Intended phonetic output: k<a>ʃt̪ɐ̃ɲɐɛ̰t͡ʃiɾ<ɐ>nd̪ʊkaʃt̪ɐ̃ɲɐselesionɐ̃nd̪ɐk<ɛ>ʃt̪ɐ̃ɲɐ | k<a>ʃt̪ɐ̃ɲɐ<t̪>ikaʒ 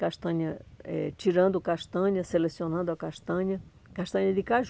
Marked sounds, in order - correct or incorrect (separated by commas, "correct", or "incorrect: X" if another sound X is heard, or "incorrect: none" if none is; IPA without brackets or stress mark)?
correct, incorrect: ɐ̃, incorrect: a, correct, incorrect: d̪